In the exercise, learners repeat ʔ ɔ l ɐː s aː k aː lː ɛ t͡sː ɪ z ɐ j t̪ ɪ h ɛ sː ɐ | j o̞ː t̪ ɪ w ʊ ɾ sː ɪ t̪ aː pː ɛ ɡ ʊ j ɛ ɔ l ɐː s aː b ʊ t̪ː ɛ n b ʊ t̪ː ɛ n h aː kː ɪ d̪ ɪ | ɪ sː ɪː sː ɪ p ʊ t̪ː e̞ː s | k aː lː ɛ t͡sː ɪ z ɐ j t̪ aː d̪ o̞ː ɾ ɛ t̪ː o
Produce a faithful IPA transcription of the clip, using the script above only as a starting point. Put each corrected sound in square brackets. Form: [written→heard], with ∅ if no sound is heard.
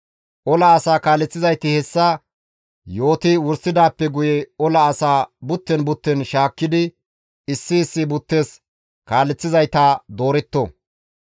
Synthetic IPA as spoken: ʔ ɔ l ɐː s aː k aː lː ɛ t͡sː ɪ z ɐ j t̪ ɪ h ɛ sː ɐ | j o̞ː t̪ ɪ w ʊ ɾ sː ɪ [t̪→d̪] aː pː ɛ ɡ ʊ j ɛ ɔ l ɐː s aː b ʊ t̪ː ɛ n b ʊ t̪ː ɛ n [h→ʃ] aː kː ɪ d̪ ɪ | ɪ sː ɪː sː ɪ [p→b] ʊ t̪ː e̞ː s | k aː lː ɛ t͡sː ɪ z ɐ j t̪ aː d̪ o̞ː ɾ ɛ t̪ː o

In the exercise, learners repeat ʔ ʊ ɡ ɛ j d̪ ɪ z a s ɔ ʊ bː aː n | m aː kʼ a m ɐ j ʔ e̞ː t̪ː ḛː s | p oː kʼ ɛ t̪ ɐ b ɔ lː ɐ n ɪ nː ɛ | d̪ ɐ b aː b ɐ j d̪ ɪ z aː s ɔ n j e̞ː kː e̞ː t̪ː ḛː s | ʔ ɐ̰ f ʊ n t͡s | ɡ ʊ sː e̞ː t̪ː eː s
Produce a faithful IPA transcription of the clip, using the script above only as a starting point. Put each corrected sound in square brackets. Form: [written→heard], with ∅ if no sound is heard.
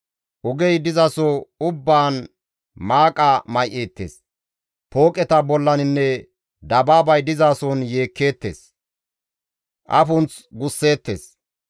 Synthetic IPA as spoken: ʔ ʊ ɡ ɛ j d̪ ɪ z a s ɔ ʊ bː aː n | m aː kʼ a m ɐ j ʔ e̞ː t̪ː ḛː s | p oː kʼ ɛ t̪ ɐ b ɔ lː ɐ n ɪ nː ɛ | d̪ ɐ b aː b ɐ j d̪ ɪ z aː s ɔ n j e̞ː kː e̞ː t̪ː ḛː s | ʔ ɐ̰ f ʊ n t͡s | ɡ ʊ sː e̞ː t̪ː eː s

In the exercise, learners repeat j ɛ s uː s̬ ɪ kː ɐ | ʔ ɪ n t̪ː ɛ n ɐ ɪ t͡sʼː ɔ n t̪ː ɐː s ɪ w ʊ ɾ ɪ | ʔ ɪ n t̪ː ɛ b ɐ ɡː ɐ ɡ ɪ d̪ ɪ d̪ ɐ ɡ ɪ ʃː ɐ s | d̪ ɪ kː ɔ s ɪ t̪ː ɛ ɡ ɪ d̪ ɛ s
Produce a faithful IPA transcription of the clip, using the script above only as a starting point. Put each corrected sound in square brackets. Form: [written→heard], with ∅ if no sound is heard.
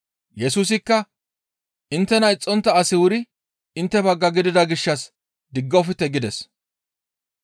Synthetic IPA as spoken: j ɛ s uː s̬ ɪ kː ɐ | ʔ ɪ n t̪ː ɛ n ɐ ɪ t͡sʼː ɔ n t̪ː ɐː s ɪ w ʊ ɾ ɪ | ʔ ɪ n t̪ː ɛ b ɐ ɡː ɐ ɡ ɪ d̪ ɪ d̪ ɐ ɡ ɪ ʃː ɐ s | d̪ ɪ [kː→ɡː] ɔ [s→f] ɪ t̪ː ɛ ɡ ɪ d̪ ɛ s

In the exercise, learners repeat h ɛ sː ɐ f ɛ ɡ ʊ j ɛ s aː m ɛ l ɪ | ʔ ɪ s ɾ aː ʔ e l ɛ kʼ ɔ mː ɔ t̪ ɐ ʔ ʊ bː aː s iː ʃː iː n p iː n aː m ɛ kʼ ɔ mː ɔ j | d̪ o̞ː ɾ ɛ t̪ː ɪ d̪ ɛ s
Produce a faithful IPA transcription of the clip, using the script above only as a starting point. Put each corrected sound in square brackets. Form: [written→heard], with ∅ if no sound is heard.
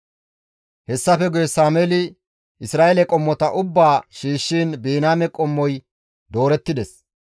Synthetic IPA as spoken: h ɛ sː ɐ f ɛ ɡ ʊ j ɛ s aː m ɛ l ɪ | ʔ ɪ s ɾ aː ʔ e l ɛ kʼ ɔ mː ɔ t̪ ɐ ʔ ʊ bː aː [s→ʃ] iː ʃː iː n [p→b] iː n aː m ɛ kʼ ɔ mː ɔ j | d̪ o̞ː ɾ ɛ t̪ː ɪ d̪ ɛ s

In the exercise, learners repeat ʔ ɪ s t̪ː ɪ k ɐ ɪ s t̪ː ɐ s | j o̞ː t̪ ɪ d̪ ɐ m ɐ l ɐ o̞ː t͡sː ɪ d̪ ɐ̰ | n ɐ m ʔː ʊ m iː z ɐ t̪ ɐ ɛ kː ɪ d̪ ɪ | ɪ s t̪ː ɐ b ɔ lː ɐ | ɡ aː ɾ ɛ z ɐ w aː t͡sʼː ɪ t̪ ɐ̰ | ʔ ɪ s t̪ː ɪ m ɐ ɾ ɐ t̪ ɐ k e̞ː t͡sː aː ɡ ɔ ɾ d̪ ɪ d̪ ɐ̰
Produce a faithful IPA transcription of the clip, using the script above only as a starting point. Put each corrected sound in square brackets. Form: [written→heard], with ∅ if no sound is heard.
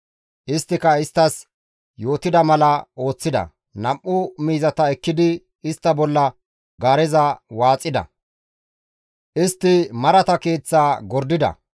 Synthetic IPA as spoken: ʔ ɪ s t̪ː ɪ k ɐ ɪ s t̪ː ɐ s | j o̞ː t̪ ɪ d̪ ɐ m ɐ l ɐ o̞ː t͡sː ɪ d̪ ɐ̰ | n ɐ m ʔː ʊ m iː z ɐ t̪ ɐ ɛ kː ɪ d̪ ɪ | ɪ s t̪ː ɐ b ɔ lː ɐ | ɡ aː ɾ ɛ z ɐ w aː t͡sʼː ɪ [t̪→d̪] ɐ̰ | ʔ ɪ s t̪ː ɪ m ɐ ɾ ɐ t̪ ɐ k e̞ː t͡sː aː ɡ ɔ ɾ d̪ ɪ d̪ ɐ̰

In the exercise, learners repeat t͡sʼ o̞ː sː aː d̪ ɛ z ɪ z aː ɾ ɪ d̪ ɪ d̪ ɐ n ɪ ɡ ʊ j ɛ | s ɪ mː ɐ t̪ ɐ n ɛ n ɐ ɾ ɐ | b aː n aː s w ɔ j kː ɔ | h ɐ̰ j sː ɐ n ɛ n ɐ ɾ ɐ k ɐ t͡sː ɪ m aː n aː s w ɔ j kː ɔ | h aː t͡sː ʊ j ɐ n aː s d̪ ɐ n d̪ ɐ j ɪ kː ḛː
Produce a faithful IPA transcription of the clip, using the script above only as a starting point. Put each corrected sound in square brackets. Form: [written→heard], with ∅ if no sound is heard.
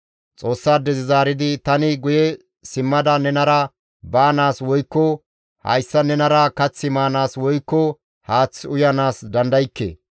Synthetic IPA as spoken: t͡sʼ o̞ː sː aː d̪ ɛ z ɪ z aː ɾ ɪ d̪ ɪ [d̪→t̪] ɐ n ɪ ɡ ʊ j ɛ | s ɪ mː ɐ [t̪→d̪] ɐ n ɛ n ɐ ɾ ɐ | b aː n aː s w ɔ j kː ɔ | h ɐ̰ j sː ɐ n ɛ n ɐ ɾ ɐ k ɐ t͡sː ɪ m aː n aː s w ɔ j kː ɔ | h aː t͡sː ʊ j ɐ n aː s d̪ ɐ n d̪ ɐ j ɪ kː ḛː

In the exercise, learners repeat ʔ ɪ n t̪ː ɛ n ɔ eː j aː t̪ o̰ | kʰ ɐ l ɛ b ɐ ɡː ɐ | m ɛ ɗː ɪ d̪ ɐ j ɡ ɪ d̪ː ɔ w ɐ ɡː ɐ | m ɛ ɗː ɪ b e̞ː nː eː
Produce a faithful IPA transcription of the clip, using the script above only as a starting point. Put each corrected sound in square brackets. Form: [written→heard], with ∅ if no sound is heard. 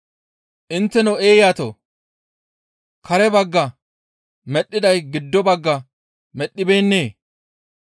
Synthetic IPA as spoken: ʔ ɪ n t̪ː ɛ n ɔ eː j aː t̪ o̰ | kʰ ɐ [l→ɾ] ɛ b ɐ ɡː ɐ | m ɛ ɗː ɪ d̪ ɐ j ɡ ɪ d̪ː ɔ [w→b] ɐ ɡː ɐ | m ɛ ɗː ɪ b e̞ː nː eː

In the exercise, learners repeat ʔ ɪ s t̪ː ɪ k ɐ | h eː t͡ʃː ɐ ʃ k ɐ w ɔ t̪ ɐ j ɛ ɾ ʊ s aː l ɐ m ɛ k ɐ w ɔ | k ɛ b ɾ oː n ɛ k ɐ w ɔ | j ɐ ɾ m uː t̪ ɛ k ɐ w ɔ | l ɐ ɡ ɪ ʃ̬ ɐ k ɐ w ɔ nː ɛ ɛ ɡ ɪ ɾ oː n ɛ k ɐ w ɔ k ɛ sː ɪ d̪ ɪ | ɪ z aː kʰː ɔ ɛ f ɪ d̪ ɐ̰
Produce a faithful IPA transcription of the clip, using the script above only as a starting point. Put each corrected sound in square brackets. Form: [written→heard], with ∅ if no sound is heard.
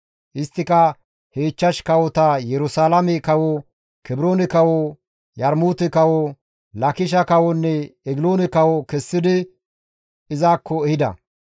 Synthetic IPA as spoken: ʔ ɪ s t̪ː ɪ k ɐ | h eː t͡ʃː ɐ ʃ k ɐ w ɔ t̪ ɐ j ɛ ɾ ʊ s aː l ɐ m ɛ k ɐ w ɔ | k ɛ b ɾ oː n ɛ k ɐ w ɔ | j ɐ ɾ m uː t̪ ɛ k ɐ w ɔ | l ɐ [ɡ→k] ɪ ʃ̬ ɐ k ɐ w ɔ nː ɛ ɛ ɡ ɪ [ɾ→l] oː n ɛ k ɐ w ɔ k ɛ sː ɪ d̪ ɪ | ɪ z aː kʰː ɔ ɛ [f→h] ɪ d̪ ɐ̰

